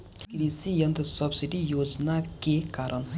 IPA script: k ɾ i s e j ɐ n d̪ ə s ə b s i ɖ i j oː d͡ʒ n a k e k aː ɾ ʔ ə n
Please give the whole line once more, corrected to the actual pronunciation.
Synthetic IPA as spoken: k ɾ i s i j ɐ n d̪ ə s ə b s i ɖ i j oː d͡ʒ n a k e k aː ɾ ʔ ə n

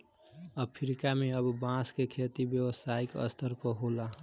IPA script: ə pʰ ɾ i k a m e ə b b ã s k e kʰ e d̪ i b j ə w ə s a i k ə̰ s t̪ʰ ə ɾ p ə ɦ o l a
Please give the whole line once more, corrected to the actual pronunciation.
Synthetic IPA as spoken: ə pʰ ɾ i k a m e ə b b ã s k e kʰ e t̪ i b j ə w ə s a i k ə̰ s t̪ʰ ə ɾ p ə ɦ o l a

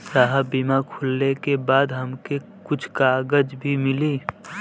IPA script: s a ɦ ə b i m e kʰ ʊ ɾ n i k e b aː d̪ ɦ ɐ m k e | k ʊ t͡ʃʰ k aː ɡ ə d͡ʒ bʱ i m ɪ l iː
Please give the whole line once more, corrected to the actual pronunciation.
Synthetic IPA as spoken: s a ɦ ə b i m a kʰ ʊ l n e k e b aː d̪ ɦ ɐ m k e | k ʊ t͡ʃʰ k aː ɡ ə d͡ʒ bʱ i m ɪ l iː

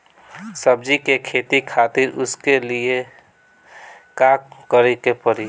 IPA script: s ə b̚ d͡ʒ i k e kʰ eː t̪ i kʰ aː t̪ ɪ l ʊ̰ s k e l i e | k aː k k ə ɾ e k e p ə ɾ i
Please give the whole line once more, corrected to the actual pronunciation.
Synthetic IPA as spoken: s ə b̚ d͡ʒ i k e kʰ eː t̪ i kʰ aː t̪ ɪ ɾ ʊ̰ s k e l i e | k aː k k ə ɾ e k e p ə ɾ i

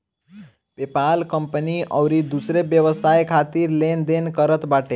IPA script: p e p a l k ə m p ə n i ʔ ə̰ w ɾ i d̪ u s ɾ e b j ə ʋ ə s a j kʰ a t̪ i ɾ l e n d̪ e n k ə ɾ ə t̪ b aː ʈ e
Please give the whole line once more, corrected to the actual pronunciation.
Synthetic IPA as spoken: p e p a l k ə m p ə n i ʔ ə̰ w ɾ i d̪ u s ɾ e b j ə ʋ ə s a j kʰ a t̪ i ɾ l e n d̪ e n k ə ɾ ə t̪ b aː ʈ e

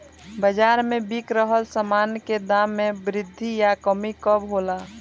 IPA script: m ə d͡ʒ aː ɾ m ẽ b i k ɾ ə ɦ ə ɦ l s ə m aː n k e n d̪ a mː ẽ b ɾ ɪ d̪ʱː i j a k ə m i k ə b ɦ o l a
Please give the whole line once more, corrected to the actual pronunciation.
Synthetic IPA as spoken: b ə d͡ʒ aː ɾ m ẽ b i k ɾ ə ɦ ə l s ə m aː n k e d̪ a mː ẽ b ɾ ɪ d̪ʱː i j a k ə m i k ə b ɦ o l a

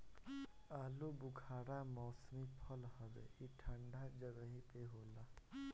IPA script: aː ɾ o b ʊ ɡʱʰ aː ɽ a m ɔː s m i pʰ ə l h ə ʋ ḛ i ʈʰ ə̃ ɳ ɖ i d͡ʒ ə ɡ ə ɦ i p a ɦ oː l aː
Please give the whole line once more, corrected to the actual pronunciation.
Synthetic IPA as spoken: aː l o b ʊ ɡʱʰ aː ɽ a m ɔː s m i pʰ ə l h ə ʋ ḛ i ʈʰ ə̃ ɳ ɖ a d͡ʒ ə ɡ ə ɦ i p e ɦ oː l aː

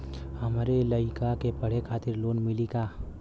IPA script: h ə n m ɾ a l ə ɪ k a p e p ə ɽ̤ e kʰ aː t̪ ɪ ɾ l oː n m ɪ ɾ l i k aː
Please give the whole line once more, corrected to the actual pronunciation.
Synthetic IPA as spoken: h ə m ɾ e l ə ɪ k a k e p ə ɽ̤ e kʰ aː t̪ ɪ ɾ l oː n m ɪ l i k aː

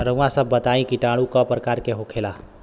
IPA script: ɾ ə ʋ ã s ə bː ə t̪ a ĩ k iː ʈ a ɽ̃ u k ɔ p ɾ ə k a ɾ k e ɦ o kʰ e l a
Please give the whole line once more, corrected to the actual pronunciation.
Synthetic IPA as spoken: ɾ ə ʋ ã s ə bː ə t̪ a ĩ k i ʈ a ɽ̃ u k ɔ p ɾ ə k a ɾ k e ɦ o kʰ e l a

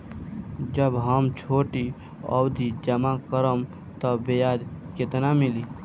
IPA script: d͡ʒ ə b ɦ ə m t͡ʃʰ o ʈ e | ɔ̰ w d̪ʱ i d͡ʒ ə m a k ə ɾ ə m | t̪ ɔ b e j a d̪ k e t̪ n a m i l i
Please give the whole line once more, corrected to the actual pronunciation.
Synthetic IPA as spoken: d͡ʒ ə b ɦ ə m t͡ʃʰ o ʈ i | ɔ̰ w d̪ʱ i d͡ʒ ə m a k ə ɾ ə m | t̪ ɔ b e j a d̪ k e t̪ n a m i l i

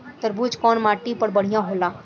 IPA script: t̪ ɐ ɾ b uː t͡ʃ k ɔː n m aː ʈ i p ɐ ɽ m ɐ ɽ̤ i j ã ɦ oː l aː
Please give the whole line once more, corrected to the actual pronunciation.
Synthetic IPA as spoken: t̪ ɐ ɾ b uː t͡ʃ k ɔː n m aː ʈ i p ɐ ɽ b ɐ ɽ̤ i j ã ɦ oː l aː

